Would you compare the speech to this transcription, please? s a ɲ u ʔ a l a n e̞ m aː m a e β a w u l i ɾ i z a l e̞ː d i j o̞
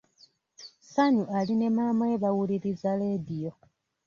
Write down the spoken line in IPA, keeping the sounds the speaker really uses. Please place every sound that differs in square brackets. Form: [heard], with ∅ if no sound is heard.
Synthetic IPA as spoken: s a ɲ u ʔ a l [i] n e̞ m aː m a e β a w u l i ɾ i z a l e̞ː d i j o̞

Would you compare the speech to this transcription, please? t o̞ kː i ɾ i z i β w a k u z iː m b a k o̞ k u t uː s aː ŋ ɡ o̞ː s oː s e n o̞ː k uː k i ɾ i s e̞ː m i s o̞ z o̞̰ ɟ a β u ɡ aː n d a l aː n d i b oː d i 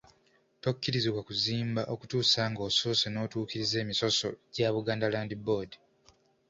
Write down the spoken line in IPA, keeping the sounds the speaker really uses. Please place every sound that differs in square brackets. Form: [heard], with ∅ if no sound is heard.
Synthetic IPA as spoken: t o̞ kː i ɾ i z i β w a k u z iː m b a [ʔ] o̞ k u t uː s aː ŋ ɡ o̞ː s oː s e n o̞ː [t] uː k i ɾ i [z] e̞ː m i s o̞ [s] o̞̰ ɟ a β u ɡ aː n d a l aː n d i b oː d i

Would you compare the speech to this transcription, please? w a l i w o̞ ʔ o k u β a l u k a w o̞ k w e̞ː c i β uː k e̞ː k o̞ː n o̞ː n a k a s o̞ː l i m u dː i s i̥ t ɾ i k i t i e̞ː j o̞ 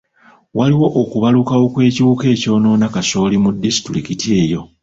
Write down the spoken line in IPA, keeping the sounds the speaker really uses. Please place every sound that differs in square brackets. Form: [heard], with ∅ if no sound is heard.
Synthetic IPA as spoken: w a l i w o̞ ʔ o k u β a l u k a w o̞ k w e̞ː c i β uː k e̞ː [c] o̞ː n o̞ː n a k a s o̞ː l i m u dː i s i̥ t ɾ i k i t i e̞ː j o̞

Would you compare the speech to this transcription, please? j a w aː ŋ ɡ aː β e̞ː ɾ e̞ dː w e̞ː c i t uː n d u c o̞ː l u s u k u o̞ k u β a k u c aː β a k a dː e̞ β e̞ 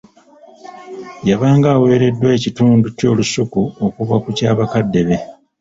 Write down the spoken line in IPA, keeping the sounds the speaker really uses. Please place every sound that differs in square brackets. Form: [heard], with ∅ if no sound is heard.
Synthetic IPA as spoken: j a [β] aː ŋ ɡ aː [w] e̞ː ɾ e̞ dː w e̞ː c i t uː n d u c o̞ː l u s u k u o̞ k u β a k u c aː β a k a dː e̞ β e̞

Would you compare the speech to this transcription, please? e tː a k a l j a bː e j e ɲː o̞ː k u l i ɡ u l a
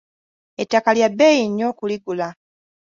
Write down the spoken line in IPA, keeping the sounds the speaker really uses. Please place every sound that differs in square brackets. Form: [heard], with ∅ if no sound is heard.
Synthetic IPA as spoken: e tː a k a l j a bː e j [i] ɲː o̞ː k u l i ɡ u l a

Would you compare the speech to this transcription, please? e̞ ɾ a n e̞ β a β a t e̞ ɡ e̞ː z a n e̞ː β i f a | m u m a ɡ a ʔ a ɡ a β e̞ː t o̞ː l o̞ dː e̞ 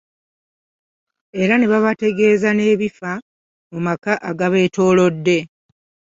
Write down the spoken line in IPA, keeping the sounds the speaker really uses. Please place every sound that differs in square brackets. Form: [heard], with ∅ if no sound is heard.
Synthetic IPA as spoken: e̞ ɾ a n e̞ β a β a t e̞ ɡ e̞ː z a n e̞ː β i f a | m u m a [k] a ʔ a ɡ a β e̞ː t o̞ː l o̞ dː e̞

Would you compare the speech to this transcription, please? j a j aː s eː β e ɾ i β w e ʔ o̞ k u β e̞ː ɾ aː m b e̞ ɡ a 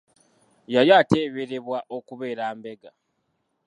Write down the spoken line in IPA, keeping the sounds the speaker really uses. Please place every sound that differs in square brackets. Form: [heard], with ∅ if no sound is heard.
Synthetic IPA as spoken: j a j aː [t] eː β e ɾ [e] β w [a] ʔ o̞ k u β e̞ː ɾ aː m b e̞ ɡ a

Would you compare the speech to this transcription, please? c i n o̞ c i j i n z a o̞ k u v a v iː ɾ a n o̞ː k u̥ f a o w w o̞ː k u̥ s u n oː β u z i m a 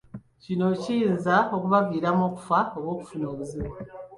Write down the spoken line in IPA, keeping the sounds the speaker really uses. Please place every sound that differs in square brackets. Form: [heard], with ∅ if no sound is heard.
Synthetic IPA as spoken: c i n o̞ c i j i n z a o̞ k u [β] a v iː ɾ a [m] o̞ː k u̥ f a o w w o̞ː k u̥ [f] u n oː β u z i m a

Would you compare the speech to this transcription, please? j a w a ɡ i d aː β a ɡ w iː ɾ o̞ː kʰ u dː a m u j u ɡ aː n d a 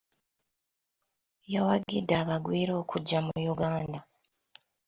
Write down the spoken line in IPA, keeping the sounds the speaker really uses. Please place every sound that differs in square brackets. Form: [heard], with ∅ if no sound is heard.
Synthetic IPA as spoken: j a w a ɡ i d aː β a ɡ w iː ɾ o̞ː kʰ u [ɟː] a m u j u ɡ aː n d a

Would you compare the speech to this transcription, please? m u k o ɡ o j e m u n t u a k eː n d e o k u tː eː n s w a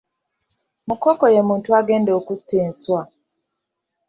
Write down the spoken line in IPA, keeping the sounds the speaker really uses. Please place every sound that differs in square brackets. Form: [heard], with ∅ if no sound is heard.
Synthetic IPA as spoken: m u k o [k] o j e m [uː] n t u a [ɡ] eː n d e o k u tː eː n s w a

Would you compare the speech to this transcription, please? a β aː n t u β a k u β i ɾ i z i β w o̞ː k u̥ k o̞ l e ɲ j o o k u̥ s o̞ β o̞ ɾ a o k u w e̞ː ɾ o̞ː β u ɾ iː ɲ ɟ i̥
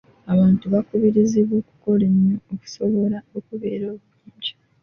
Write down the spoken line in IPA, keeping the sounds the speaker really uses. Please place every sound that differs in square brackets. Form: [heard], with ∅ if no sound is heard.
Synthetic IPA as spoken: a β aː n t u β a k u β i ɾ i z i β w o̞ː k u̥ k o̞ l e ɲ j o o k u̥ s o̞ β o̞ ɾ a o k u [β] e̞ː ɾ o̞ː β u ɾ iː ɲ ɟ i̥

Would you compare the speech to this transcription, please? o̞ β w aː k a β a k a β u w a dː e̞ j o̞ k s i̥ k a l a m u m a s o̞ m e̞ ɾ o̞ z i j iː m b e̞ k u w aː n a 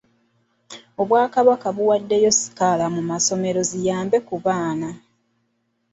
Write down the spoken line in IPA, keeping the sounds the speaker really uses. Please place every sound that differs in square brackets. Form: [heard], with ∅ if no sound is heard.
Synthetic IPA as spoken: o̞ β w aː k a β a k a β u w a dː e̞ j o̞ [∅] s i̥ k a l a m u m a s o̞ m e̞ ɾ o̞ z i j [aː] m b e̞ k u [β] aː n a

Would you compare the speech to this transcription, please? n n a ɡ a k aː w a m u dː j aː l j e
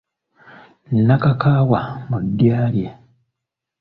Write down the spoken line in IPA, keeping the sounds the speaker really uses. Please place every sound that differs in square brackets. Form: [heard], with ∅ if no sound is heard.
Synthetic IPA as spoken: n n a [k] a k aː w a m u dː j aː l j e

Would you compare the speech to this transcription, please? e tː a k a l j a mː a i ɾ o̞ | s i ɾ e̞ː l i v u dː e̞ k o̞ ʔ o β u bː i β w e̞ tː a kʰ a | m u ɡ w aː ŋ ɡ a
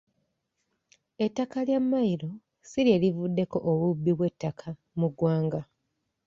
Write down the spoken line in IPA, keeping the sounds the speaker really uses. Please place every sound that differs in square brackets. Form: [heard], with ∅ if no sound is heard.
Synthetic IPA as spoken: e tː a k a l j a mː a i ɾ o̞ | s i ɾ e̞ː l i v u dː e̞ k o̞ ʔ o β u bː i β w e̞ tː a kʰ a | m u ɡ w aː ŋ ɡ a

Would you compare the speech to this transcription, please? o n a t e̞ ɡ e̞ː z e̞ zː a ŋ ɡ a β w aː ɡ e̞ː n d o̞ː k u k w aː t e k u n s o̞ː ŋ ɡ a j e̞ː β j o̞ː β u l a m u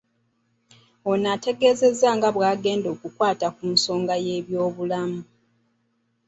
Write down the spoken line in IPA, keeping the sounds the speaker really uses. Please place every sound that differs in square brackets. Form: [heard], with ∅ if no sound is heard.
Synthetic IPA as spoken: o n a t e̞ ɡ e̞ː z e̞ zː a ŋ ɡ a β w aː ɡ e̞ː n d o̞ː k u k w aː t [a] k u n s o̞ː ŋ ɡ a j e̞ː β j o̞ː β u l a m u

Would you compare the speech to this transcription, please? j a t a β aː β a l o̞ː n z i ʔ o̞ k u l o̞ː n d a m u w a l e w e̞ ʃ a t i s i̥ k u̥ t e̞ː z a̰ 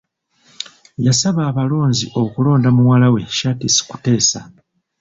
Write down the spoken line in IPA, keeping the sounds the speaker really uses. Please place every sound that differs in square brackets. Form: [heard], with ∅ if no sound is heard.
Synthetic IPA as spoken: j a [s] a β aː β a l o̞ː n z i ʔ o̞ k u l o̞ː n d a m u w a l [a] w e̞ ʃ a t i s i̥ k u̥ t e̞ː [s] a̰

